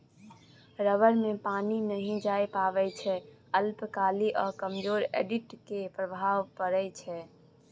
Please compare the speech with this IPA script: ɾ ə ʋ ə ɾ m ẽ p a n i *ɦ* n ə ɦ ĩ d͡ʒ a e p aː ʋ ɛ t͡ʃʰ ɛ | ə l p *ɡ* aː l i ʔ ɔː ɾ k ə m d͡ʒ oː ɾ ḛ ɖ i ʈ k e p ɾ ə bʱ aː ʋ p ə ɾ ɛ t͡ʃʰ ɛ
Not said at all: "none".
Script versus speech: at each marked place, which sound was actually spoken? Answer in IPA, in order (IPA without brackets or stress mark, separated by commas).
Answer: none, k